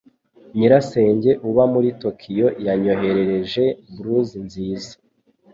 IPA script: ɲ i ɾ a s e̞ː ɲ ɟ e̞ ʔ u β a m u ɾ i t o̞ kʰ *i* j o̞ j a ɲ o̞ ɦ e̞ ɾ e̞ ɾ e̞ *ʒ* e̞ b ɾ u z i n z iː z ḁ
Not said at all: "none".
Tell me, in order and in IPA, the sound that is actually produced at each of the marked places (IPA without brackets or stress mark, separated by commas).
i, ʒ